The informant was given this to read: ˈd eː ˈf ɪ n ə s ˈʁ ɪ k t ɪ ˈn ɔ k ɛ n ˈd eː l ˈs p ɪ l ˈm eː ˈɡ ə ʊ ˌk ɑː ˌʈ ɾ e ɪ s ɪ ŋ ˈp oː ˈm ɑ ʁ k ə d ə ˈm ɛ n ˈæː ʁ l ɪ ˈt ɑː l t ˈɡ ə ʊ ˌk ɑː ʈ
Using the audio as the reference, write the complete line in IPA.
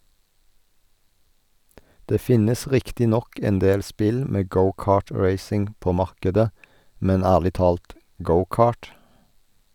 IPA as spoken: ˈd eː ˈf ɪ n ə s ˈʁ ɪ k t ɪ ˈn ɔ k ɛ n ˈd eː l ˈs p ɪ l ˈm eː ˈɡ ə ʊ ˌk ɑː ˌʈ ɹ e ɪ s ɪ ŋ ˈp oː ˈm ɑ ʁ k ə d ə ˈm ɛ n ˈæː ʁ l ɪ ˈt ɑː l t ˈɡ ə ʊ ˌk ɑː ʈ